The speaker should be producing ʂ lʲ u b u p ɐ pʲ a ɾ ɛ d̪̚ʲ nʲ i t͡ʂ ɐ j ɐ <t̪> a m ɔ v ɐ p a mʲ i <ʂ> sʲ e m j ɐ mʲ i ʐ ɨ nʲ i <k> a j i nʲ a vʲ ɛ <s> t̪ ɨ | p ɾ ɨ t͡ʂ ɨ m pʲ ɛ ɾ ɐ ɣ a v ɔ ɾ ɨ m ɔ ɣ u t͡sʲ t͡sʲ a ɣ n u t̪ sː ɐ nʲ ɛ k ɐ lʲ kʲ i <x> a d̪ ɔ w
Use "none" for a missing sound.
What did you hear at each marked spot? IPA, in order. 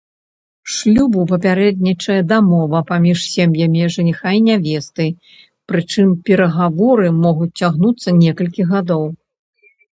d̪, ʂ, x, s, ɣ

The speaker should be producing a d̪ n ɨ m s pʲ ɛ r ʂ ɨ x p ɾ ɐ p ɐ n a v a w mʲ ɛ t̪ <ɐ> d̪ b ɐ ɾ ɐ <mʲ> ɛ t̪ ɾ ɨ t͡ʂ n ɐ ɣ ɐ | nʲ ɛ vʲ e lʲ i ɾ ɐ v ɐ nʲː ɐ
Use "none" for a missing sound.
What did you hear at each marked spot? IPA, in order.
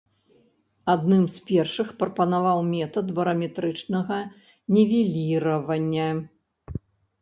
ɐ, mʲ

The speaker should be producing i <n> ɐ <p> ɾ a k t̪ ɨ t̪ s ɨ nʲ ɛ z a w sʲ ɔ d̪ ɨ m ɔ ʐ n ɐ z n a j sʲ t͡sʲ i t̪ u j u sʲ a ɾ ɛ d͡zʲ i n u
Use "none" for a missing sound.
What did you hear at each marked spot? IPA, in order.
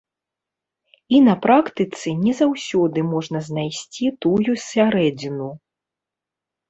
n, p

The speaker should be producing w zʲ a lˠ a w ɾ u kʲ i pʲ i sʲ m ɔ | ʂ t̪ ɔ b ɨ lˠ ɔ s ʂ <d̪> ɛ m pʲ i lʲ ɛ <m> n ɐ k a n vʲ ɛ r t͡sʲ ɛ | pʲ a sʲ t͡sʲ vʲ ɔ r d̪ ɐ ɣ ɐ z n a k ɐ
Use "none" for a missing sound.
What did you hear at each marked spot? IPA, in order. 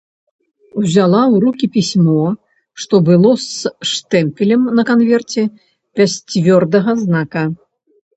t̪, m

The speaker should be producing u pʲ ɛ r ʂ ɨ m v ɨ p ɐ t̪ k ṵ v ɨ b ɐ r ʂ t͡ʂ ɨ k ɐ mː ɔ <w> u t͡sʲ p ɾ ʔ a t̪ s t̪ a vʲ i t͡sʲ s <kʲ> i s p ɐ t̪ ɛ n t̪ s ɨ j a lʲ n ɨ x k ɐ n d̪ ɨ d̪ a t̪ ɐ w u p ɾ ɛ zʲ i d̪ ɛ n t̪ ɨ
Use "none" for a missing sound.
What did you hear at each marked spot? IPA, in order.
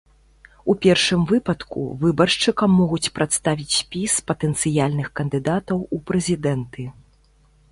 ɣ, pʲ

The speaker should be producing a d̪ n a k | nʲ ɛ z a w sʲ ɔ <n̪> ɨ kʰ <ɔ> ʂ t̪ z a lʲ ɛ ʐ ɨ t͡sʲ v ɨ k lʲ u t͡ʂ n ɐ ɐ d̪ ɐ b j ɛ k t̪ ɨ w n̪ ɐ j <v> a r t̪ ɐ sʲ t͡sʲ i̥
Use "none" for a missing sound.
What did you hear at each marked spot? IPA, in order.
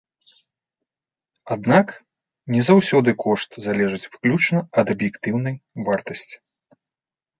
d̪, ɔ, v

